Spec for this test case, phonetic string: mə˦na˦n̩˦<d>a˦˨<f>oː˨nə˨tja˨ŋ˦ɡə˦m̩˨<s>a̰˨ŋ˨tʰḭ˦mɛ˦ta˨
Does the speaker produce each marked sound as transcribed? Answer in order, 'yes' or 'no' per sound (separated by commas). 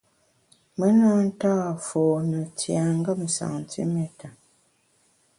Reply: no, yes, yes